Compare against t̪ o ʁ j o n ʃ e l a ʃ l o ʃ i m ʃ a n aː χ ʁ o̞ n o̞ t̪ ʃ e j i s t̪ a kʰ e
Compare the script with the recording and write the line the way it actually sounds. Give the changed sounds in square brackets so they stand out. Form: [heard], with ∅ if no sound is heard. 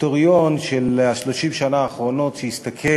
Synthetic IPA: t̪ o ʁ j o n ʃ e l a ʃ l o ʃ i m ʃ a n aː χ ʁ o̞ n o̞ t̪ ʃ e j i s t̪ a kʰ e